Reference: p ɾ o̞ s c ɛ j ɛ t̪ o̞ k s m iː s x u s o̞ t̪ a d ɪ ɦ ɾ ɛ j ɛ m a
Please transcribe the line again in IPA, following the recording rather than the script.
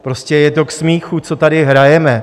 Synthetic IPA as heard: p ɾ o̞ s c ɛ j ɛ t̪ o̞ k s m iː x u t͡s o̞ t̪ a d ɪ ɦ ɾ a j ɛ m ɛ